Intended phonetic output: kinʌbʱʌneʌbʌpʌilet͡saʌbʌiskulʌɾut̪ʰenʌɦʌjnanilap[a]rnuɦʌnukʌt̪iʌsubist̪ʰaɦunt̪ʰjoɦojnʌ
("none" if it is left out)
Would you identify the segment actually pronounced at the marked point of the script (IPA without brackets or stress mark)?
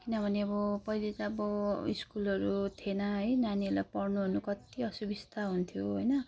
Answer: ʌ